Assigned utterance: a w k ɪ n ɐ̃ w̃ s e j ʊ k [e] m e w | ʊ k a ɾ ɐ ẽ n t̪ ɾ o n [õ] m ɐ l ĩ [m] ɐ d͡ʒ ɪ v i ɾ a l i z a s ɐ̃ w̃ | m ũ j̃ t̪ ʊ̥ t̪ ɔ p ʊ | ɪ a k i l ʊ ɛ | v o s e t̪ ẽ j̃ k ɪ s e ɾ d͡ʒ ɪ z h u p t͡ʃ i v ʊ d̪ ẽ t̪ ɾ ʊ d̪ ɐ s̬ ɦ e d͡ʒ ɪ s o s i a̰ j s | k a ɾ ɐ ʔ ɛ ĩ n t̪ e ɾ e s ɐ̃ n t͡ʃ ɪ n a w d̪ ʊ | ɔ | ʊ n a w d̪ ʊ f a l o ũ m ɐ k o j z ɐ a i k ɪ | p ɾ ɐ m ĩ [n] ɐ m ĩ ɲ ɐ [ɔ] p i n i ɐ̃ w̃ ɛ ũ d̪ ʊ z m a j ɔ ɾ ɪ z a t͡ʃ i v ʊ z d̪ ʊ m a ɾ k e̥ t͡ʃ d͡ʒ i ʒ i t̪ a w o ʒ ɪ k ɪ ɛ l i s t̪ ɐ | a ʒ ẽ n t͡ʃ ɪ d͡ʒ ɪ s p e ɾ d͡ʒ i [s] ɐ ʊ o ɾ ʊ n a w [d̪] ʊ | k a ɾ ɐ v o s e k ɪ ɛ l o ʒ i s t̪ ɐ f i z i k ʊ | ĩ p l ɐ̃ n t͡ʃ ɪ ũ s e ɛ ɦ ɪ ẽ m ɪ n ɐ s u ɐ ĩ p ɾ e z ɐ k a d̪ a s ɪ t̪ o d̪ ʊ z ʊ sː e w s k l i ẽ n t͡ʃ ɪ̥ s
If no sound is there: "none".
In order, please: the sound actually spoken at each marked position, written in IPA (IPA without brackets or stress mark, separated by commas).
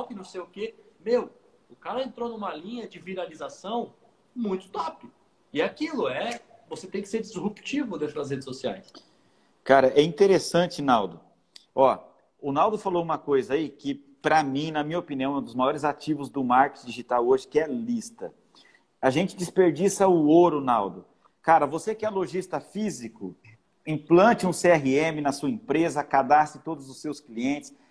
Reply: e, ũ, ɲ, n, o, s, d̪